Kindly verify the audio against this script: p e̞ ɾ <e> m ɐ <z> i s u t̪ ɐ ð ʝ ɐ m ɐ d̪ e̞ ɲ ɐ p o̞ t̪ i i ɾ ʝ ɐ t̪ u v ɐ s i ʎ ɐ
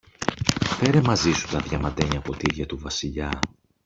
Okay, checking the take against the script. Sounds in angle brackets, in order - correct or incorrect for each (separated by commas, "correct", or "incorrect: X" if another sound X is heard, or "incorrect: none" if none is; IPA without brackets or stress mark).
correct, correct